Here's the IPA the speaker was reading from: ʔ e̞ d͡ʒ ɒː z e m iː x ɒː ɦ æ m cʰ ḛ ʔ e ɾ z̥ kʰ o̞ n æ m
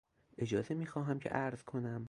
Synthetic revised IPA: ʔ e̞ d͡ʒ ɒː z e m iː x ɒː ɦ æ m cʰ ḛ ʔ æ ɾ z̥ kʰ o̞ n æ m